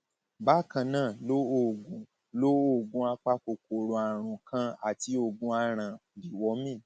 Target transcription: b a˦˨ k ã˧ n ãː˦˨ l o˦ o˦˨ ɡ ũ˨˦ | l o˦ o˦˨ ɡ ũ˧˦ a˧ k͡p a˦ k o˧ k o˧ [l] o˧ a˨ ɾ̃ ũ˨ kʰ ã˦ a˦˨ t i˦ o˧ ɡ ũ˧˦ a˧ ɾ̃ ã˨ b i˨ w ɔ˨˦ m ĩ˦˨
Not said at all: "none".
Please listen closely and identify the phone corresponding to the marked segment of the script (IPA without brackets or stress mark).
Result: ɾ